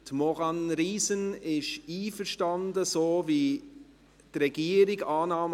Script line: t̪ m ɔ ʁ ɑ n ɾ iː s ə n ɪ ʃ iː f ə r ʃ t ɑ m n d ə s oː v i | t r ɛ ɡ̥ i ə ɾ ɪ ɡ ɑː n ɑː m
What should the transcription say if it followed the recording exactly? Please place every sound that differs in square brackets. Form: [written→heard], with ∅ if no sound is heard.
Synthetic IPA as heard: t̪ m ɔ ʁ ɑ n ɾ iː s ə n ɪ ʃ iː f ə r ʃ t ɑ [m→∅] n d ə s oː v i | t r ɛ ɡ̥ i ə ɾ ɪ ɡ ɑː n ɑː m